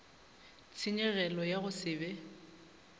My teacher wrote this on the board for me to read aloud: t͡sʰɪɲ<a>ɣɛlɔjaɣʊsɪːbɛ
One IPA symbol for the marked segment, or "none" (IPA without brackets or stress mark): ɛ